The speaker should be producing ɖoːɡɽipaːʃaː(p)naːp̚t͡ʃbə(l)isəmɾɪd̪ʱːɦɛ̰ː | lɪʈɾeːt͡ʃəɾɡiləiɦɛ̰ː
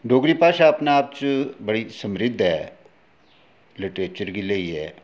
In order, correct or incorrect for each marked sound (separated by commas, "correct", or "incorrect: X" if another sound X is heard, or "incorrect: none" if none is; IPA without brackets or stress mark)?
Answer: correct, incorrect: ɽ